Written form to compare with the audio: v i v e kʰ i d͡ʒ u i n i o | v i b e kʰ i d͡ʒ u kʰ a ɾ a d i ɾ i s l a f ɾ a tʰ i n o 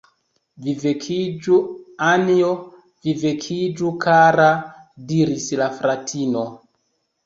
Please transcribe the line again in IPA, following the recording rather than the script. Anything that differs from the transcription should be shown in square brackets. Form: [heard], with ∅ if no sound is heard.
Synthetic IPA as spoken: v i v e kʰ i d͡ʒ u [a] n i o | v i [v] e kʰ i d͡ʒ u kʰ a ɾ a d i ɾ i s l a f ɾ a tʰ i n o